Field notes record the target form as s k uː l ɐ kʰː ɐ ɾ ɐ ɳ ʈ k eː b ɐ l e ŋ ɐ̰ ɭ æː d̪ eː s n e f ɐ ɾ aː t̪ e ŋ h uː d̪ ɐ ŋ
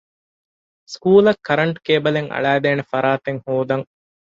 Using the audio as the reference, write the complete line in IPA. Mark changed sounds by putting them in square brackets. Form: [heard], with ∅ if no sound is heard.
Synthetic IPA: s k uː l ɐ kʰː ɐ ɾ ɐ ɳ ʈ k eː b ɐ l e ŋ ɐ̰ ɭ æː d̪ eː [∅] n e f ɐ ɾ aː t̪ e ŋ h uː d̪ ɐ ŋ